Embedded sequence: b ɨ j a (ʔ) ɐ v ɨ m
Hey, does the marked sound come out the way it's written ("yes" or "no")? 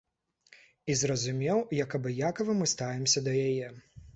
no